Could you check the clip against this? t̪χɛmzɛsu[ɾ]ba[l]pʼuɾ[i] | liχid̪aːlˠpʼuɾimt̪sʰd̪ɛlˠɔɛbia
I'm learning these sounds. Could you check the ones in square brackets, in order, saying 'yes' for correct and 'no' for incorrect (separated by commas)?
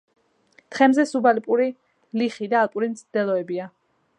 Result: no, yes, yes